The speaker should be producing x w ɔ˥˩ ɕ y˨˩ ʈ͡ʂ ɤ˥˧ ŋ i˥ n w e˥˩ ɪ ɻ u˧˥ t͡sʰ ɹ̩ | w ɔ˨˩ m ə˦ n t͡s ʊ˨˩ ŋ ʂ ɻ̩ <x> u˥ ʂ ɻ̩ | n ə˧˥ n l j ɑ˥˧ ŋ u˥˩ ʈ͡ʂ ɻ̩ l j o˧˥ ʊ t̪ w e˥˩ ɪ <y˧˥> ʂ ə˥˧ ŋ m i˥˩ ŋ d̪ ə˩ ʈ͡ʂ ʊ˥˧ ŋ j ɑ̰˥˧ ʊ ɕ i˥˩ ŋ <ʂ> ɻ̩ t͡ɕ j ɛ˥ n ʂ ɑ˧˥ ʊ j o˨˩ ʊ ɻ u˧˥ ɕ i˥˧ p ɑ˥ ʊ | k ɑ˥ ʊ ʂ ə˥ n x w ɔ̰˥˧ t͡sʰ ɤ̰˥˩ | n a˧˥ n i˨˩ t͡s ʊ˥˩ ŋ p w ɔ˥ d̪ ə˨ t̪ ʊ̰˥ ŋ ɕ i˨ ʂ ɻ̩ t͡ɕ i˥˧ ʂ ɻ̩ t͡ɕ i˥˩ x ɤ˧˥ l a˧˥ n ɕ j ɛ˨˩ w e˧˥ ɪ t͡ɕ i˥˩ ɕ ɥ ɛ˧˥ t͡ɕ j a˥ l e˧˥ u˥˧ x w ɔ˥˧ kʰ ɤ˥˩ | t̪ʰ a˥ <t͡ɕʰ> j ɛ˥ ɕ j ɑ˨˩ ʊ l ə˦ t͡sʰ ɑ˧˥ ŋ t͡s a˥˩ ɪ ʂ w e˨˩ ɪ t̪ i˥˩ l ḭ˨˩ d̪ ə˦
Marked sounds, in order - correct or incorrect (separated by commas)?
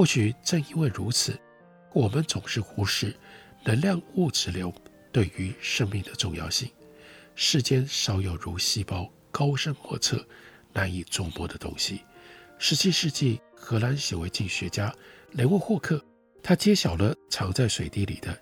correct, correct, correct, incorrect